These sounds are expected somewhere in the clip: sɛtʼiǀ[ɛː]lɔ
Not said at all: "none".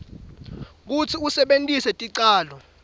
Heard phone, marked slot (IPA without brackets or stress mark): aː